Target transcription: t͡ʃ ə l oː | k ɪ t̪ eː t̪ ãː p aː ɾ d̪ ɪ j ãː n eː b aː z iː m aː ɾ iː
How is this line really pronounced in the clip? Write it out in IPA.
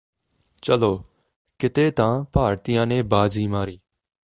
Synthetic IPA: t͡ʃ ə l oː | k ɪ t̪ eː t̪ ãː p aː ɾ t̪ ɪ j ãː n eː b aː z iː m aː ɾ iː